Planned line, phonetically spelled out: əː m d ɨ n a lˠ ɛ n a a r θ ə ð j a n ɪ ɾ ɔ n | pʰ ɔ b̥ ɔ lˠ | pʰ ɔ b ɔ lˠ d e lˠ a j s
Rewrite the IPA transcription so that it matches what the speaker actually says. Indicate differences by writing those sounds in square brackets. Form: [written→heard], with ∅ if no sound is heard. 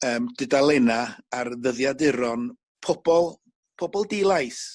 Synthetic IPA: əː m d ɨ [n→d] a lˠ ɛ n a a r [θ→ð] ə ð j a [n→d] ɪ ɾ ɔ n | pʰ ɔ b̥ ɔ lˠ | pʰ ɔ b ɔ lˠ d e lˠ a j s